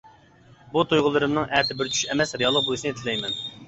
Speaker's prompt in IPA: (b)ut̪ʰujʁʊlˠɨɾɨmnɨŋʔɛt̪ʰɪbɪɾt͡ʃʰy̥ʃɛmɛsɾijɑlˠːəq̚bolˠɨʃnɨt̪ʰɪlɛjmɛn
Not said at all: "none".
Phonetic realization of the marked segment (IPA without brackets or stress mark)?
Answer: b